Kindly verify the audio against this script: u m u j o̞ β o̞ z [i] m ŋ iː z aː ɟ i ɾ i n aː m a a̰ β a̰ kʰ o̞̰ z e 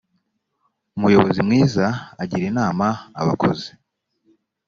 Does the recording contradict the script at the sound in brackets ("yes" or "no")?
no